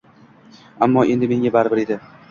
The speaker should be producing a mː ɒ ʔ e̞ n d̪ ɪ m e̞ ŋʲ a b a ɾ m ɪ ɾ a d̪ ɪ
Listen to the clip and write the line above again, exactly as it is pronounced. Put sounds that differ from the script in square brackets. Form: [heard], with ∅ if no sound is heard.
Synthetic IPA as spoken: a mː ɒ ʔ e̞ n d̪ ɪ m e̞ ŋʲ a b a ɾ [b] ɪ ɾ [e] d̪ ɪ

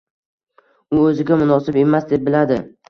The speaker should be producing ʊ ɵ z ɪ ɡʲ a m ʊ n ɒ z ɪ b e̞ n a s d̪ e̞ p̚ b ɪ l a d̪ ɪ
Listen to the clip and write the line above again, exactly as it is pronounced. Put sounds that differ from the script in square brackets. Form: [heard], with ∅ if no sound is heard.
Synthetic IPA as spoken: ʊ ɵ z ɪ ɡʲ a m ʊ n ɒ [s] ɪ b e̞ [m] a s d̪ e̞ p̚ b ɪ l a d̪ ɪ

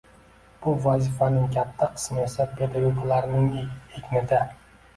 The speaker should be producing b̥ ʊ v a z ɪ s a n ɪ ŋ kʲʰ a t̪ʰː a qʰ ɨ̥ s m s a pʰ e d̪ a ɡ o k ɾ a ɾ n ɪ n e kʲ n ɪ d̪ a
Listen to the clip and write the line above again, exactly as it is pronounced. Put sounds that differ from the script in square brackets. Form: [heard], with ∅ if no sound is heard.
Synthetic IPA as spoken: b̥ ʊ v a z ɪ [f] a n ɪ ŋ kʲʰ a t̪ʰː a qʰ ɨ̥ s m s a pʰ e d̪ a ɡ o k [l] a ɾ n ɪ [ŋ] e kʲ n ɪ d̪ a

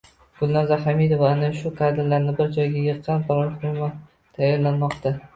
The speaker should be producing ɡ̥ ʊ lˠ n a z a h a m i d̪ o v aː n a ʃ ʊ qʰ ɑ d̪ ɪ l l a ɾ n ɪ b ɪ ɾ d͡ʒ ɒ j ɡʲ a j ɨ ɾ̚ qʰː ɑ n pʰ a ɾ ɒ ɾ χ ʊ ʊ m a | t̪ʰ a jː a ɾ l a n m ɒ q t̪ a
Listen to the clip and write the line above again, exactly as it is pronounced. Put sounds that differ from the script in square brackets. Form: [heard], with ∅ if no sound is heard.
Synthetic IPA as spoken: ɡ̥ ʊ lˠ n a z a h a m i d̪ o v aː n a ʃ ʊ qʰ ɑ d̪ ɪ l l a ɾ n ɪ b ɪ ɾ d͡ʒ ɒ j ɡʲ a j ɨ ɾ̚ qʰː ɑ n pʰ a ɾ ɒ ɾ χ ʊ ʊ m a | t̪ʰ a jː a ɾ l a n m ɒ q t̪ a

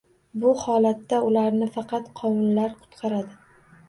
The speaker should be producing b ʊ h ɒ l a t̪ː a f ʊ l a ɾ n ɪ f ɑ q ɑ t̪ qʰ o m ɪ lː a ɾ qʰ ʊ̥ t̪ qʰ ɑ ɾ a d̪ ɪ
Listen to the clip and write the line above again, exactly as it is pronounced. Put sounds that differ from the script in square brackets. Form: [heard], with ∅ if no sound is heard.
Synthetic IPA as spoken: b ʊ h ɒ l a t̪ː a [∅] ʊ l a ɾ n ɪ f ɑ q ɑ t̪ qʰ [ɒ] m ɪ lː a ɾ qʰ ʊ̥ t̪ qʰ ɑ ɾ a d̪ ɪ

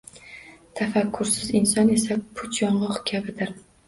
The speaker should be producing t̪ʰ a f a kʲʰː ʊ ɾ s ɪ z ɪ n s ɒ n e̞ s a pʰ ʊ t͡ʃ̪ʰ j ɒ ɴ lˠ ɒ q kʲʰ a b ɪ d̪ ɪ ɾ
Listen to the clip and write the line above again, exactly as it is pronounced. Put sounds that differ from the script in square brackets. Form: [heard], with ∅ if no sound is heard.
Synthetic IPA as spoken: t̪ʰ a f a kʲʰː ʊ ɾ s ɪ z ɪ n s ɒ n e̞ s a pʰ ʊ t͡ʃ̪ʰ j ɒ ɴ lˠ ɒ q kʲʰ a b ɪ d̪ ɪ ɾ

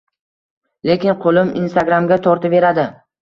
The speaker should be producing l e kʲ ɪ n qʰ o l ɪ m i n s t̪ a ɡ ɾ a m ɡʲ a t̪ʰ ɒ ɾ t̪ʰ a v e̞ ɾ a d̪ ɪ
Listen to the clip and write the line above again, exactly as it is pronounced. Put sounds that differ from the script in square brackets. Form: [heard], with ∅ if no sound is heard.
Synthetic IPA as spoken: l e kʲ ɪ n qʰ o l ɪ m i n s t̪ a ɡ ɾ a m ɡʲ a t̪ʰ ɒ ɾ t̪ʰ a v e̞ ɾ a d̪ ɪ

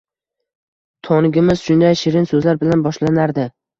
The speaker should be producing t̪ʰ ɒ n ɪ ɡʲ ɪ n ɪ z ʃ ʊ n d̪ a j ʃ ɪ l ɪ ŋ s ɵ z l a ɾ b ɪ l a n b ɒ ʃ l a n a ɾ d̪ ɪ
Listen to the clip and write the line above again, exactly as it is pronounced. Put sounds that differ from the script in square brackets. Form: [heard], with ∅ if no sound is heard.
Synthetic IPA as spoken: t̪ʰ ɒ n ɪ ɡʲ ɪ [m] ɪ z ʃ ʊ n d̪ a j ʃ ɪ [ɾ] ɪ [n] s ɵ z l a ɾ b ɪ l a n b ɒ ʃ l a n a ɾ d̪ ɪ

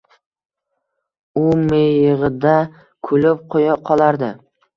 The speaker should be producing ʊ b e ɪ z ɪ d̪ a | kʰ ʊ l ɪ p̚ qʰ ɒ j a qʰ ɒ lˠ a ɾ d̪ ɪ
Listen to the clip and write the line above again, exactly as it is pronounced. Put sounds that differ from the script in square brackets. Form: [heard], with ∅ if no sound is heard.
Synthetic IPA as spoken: ʊ [m] e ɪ [ʁ] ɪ d̪ a | kʰ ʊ l ɪ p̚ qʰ [o] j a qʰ ɒ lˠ a ɾ d̪ ɪ

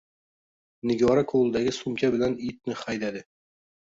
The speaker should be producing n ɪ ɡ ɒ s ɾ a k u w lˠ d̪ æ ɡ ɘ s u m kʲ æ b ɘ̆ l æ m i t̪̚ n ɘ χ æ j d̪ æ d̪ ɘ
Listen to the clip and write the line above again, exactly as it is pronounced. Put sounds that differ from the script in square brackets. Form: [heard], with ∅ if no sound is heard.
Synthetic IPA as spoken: n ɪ ɡ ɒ [∅] ɾ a k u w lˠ d̪ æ ɡ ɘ s u m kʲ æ b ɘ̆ l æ [n] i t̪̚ n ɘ χ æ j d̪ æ d̪ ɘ

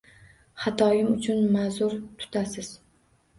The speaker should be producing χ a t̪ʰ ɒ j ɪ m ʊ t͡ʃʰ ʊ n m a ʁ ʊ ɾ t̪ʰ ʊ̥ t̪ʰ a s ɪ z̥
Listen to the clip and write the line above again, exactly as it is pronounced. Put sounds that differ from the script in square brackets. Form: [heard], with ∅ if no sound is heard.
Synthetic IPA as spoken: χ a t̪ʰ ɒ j ɪ m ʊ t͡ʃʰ ʊ n m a [z] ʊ ɾ t̪ʰ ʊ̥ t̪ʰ a s ɪ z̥

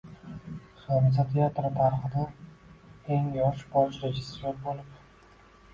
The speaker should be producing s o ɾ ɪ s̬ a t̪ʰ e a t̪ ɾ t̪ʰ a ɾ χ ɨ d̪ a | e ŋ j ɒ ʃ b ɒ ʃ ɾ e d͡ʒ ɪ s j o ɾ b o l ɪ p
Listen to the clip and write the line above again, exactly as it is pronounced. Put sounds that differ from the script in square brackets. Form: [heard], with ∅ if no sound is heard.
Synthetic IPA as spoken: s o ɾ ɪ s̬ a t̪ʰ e a t̪ ɾ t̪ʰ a ɾ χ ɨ d̪ a | e ŋ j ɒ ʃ b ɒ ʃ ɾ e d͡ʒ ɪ s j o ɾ b o l ɪ p

